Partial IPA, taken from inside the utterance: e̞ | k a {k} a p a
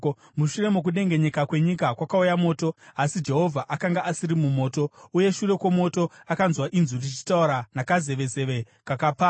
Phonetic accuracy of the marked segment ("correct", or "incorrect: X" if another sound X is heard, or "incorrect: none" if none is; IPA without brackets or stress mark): correct